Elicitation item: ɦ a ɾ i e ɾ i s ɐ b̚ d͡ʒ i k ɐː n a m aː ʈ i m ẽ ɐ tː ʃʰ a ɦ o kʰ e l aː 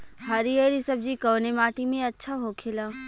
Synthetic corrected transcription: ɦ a ɾ i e ɾ i s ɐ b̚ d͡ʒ i k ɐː n e m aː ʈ i m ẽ ɐ tː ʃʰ a ɦ o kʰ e l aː